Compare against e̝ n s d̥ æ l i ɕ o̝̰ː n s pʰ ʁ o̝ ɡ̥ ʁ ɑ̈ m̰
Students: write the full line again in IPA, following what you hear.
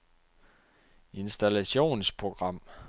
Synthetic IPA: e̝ n s d̥ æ l æ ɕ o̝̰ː n s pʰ ʁ o̝ ɡ̥ ʁ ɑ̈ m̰